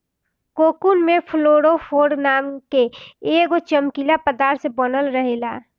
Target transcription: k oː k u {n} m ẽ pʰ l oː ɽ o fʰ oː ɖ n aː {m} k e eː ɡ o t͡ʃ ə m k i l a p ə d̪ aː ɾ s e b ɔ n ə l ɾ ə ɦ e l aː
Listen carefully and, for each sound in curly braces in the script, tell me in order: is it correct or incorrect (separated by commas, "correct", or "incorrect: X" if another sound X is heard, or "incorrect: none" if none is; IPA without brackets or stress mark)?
correct, correct